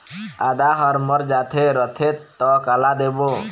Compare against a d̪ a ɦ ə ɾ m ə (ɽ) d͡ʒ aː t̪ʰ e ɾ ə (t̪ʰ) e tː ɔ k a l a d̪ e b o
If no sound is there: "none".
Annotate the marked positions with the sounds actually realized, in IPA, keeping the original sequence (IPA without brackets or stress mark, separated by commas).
ɾ, t̪ʰ